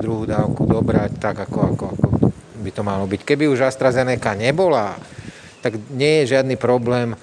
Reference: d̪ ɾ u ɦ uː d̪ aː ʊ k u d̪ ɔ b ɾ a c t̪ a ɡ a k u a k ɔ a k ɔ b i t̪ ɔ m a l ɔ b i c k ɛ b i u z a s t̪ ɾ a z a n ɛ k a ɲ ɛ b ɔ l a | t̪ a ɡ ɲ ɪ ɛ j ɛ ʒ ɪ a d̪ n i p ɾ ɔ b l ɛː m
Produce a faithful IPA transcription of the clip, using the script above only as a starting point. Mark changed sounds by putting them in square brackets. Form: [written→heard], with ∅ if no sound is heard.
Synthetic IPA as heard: d̪ ɾ u ɦ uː d̪ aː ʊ k u d̪ ɔ b ɾ a c t̪ a ɡ a k [u→ɔ] a k ɔ a k ɔ b i t̪ ɔ m a l ɔ b i c k ɛ b i u [z→ʒ] a s t̪ ɾ a z [a→ɛ] n ɛ k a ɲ ɛ b ɔ l a | t̪ a ɡ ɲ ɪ ɛ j ɛ ʒ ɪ a d̪ n i p ɾ ɔ b l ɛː m